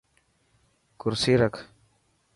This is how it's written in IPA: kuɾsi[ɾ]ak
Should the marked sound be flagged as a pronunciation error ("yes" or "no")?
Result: no